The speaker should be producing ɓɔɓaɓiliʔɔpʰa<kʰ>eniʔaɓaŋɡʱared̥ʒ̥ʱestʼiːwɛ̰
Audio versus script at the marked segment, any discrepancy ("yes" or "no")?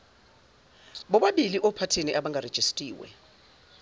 yes